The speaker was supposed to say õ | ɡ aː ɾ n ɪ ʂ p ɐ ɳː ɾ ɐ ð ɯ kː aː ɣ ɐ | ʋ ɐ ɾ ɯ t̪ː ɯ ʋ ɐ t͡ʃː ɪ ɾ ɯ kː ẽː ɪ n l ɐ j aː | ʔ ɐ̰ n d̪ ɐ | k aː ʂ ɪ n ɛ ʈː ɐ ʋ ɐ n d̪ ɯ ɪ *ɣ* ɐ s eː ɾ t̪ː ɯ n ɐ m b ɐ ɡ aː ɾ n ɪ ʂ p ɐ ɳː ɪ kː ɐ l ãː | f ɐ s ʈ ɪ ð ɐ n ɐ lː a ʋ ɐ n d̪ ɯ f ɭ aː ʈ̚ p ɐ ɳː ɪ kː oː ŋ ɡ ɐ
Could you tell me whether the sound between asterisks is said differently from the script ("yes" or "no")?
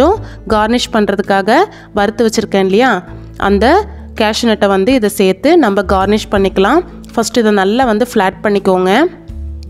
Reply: yes